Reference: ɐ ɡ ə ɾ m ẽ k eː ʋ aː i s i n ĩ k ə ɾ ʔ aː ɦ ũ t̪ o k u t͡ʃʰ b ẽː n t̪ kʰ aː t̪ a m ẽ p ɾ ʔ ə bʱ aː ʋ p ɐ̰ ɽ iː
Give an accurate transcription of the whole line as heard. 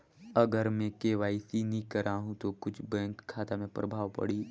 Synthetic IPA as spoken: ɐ ɡ ə ɾ m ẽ k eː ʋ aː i s i n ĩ k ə ɾ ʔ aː ɦ ũ t̪ o k ʊ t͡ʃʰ b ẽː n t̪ kʰ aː t̪ a m ẽ p ɾ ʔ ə bʱ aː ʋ p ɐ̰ ɽ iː